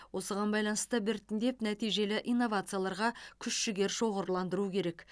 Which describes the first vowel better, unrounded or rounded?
rounded